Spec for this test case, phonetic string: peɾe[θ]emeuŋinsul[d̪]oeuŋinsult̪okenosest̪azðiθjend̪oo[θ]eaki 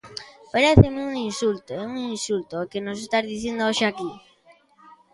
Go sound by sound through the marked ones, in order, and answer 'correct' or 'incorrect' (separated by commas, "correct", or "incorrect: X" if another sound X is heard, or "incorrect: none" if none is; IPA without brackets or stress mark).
correct, incorrect: t̪, incorrect: ʃ